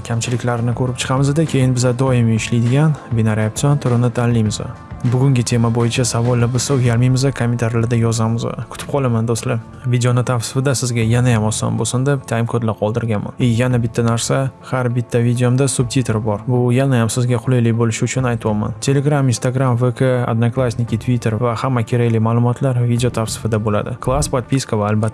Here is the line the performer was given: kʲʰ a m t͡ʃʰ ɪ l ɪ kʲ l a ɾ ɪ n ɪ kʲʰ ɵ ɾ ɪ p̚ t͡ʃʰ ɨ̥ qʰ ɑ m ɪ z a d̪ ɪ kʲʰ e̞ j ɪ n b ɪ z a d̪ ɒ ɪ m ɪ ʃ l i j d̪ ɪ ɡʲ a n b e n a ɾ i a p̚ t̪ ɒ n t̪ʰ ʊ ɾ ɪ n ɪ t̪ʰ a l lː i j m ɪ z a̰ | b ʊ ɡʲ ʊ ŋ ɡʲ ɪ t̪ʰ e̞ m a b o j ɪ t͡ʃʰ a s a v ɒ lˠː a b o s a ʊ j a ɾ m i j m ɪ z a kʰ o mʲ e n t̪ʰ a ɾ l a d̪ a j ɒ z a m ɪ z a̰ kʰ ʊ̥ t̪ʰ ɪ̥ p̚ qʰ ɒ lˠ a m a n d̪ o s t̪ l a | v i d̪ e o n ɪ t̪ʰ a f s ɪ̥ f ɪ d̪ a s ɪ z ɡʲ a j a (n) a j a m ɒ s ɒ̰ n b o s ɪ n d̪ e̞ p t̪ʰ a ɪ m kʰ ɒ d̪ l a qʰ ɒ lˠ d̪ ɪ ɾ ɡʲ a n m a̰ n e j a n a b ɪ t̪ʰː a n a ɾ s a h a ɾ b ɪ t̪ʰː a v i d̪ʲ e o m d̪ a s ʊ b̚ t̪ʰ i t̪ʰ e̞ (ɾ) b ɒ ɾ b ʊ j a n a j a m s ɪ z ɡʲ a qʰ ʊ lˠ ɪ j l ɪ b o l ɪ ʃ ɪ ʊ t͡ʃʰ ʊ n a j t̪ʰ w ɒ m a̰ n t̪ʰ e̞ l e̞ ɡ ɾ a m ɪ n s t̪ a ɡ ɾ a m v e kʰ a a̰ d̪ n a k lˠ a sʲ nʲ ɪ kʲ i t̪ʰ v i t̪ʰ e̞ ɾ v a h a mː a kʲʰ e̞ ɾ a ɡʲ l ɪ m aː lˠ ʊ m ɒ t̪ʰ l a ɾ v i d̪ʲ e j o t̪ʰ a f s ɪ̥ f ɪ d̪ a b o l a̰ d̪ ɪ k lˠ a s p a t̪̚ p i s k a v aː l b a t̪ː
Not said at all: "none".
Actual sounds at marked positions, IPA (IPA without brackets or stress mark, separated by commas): n, ɾ